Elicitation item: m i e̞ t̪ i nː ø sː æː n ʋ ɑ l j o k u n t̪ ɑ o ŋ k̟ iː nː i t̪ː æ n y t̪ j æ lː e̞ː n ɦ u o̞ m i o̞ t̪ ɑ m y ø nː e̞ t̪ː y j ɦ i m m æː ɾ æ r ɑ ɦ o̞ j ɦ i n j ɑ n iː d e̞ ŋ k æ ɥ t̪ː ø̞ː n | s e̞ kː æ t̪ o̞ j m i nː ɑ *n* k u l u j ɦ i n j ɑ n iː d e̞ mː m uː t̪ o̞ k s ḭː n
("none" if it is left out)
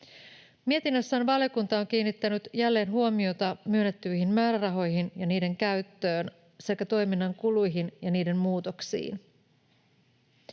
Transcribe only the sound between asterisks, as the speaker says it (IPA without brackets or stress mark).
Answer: ŋ